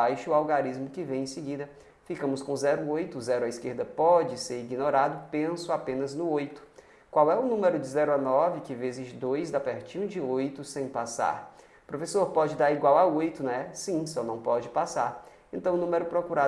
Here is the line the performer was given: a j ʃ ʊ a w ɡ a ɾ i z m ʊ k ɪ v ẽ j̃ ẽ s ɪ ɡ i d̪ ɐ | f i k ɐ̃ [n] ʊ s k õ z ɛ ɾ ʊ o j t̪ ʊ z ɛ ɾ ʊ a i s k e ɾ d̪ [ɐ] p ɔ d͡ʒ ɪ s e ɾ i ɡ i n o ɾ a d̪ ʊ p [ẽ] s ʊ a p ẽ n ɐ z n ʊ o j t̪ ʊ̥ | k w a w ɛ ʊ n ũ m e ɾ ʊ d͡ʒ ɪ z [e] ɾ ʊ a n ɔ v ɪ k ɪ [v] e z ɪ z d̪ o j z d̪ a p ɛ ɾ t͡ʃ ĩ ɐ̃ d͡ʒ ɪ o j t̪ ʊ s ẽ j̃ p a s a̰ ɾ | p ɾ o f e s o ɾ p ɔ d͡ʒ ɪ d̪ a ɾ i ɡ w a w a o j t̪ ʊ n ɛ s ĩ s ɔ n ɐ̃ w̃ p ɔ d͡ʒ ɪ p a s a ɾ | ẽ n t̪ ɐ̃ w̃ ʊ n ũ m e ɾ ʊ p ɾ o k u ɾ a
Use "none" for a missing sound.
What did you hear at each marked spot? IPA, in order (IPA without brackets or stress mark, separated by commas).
m, ɐ, ẽ, ɛ, v